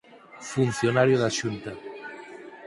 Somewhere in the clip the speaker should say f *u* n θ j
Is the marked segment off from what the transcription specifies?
no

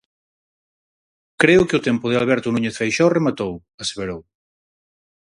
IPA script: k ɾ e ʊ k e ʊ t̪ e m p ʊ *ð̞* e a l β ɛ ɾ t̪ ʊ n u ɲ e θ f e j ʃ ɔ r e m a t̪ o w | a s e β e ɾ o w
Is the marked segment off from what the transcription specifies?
no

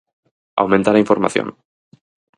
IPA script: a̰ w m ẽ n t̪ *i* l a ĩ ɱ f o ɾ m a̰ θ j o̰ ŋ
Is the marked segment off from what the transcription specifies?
yes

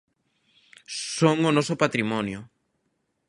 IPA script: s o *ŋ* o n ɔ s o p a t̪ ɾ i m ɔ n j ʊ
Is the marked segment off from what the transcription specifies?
no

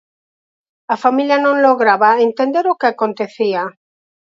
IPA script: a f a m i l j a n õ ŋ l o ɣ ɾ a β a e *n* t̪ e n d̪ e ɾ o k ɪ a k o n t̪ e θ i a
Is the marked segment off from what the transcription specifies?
no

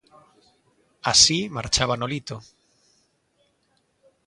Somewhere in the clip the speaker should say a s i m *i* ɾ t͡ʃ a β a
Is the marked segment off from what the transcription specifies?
yes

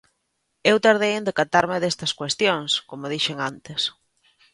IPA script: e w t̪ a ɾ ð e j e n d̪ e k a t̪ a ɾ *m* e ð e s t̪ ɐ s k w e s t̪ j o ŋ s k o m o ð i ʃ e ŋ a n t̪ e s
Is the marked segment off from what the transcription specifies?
no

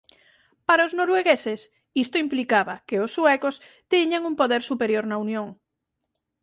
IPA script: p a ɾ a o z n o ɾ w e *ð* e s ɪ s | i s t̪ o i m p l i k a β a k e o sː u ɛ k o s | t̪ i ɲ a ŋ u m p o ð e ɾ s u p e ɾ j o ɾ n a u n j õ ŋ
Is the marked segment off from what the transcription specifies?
yes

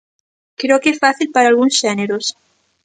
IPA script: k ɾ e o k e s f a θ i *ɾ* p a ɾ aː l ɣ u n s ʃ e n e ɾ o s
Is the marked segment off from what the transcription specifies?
yes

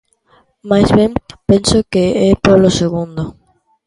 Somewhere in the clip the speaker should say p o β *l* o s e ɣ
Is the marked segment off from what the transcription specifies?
no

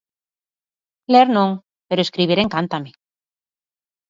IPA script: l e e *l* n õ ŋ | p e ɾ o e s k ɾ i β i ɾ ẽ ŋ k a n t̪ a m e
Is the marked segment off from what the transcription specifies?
yes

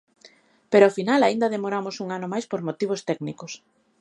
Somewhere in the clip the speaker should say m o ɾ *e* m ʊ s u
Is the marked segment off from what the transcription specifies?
yes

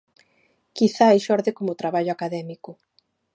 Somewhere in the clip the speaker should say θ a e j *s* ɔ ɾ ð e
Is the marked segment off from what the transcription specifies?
yes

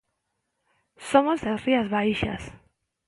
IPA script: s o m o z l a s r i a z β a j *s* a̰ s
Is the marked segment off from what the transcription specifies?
yes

